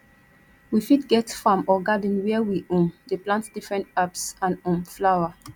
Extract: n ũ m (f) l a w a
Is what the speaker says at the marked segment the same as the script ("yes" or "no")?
yes